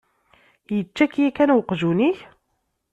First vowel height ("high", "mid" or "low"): mid